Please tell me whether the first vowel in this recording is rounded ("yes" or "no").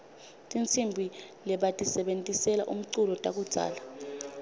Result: no